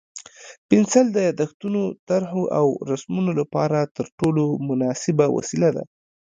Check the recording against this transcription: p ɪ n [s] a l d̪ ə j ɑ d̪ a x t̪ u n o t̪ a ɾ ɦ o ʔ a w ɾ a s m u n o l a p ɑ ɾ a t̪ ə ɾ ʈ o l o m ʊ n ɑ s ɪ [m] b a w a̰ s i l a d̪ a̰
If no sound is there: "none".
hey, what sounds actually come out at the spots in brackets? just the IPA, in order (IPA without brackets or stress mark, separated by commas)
s, none